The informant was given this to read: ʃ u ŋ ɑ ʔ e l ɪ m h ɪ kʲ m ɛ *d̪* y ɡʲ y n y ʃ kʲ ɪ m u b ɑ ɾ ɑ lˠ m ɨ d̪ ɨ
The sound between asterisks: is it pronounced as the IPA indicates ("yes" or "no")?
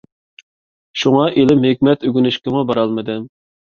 no